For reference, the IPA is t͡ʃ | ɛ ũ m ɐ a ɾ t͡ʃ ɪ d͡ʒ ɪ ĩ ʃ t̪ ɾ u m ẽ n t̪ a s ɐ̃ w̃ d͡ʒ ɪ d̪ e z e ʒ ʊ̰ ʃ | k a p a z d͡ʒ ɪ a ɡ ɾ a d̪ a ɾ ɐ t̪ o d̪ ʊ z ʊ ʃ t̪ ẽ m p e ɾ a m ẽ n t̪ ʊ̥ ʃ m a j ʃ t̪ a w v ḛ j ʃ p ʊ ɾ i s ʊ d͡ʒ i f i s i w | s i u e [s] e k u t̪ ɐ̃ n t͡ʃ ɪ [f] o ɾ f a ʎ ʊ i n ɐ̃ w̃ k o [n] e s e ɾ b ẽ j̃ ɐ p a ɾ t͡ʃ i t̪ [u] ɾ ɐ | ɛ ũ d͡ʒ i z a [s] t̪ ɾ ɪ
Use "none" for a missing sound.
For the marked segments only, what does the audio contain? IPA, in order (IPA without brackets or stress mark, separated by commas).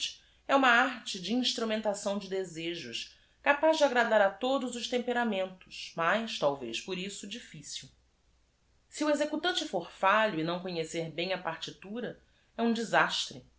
z, f, ɲ, u, ʃ